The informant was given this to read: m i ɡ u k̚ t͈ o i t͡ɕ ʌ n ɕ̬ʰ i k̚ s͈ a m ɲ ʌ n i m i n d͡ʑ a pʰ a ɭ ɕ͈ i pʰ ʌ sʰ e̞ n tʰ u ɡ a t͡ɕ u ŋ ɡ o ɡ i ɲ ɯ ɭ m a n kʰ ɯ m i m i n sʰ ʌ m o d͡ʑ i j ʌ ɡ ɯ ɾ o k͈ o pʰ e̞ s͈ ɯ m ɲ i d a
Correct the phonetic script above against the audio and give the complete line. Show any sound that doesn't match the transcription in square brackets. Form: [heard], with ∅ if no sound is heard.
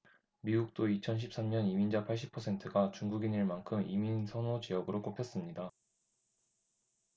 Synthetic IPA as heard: m i ɡ u k̚ t͈ o i [t͡ɕʰ] ʌ n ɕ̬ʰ i [p̚] s͈ a m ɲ ʌ n i m i n d͡ʑ a pʰ a ɭ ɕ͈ i pʰ ʌ sʰ e̞ n tʰ [ɯ] ɡ a t͡ɕ u ŋ ɡ [u] ɡ i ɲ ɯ ɭ m a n kʰ ɯ m i m i n sʰ ʌ [n] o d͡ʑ i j ʌ ɡ ɯ ɾ o k͈ o pʰ e̞ s͈ ɯ m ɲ i d a